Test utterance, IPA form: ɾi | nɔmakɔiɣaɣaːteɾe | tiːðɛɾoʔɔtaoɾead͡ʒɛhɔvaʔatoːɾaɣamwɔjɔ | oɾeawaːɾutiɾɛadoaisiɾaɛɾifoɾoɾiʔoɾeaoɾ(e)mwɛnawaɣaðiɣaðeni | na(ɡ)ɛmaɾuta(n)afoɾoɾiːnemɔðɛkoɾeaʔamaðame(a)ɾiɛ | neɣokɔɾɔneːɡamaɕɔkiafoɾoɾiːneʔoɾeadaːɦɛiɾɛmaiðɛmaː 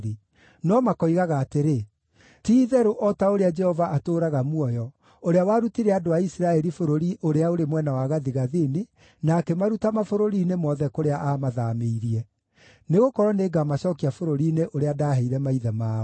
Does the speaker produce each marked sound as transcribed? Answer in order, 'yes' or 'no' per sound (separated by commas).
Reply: yes, no, no, no